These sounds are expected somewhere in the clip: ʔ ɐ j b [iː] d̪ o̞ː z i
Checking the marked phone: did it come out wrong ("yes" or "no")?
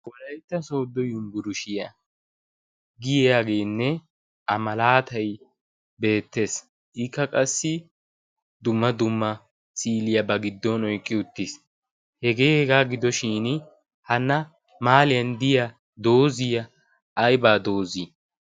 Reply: yes